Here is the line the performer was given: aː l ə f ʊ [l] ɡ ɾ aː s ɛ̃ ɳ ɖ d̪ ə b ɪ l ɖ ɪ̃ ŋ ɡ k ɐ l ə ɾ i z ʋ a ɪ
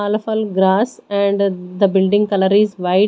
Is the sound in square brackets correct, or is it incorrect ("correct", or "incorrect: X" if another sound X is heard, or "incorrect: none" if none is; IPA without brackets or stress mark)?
correct